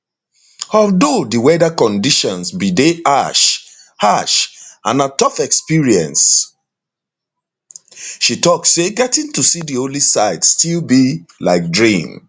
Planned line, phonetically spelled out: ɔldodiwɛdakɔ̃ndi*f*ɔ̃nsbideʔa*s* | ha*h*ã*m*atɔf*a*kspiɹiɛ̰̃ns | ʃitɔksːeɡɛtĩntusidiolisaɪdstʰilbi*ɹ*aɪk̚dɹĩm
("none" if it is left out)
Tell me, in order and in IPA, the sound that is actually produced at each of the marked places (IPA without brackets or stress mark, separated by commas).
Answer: ʃ, ʃ, ʃ, n, ɛ, l